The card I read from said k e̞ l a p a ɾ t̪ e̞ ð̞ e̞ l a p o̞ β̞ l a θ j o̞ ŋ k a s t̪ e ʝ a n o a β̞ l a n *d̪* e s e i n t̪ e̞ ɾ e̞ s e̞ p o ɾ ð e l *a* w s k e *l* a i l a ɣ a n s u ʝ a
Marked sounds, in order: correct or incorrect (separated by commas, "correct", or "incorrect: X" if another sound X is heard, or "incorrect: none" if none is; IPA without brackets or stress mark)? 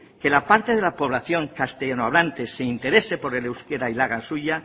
incorrect: t̪, incorrect: e, incorrect: ɾ